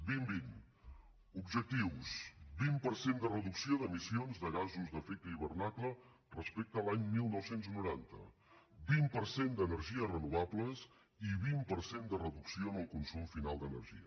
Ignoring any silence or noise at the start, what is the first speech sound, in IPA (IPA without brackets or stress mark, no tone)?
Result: b